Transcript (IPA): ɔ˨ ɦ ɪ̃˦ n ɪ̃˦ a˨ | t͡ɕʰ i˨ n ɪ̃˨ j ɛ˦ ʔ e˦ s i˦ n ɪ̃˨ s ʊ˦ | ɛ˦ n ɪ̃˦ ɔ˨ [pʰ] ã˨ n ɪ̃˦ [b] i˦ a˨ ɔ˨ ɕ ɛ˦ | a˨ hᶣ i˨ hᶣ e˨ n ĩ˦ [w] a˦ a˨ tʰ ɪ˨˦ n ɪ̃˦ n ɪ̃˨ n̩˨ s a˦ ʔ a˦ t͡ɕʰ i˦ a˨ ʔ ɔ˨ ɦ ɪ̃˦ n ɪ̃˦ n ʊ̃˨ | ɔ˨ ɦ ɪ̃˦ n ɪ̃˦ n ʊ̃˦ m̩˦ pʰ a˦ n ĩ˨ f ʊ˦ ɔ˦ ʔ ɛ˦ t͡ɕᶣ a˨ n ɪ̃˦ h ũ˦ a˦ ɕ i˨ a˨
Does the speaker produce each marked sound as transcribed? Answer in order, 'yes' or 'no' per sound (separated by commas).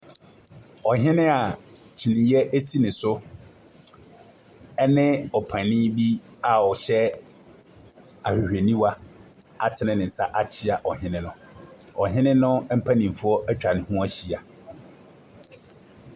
yes, yes, yes